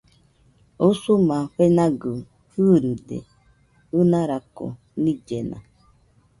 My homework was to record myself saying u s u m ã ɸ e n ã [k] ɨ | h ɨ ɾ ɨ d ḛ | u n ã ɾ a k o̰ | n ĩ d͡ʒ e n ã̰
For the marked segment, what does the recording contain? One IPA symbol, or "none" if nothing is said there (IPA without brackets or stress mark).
ɡ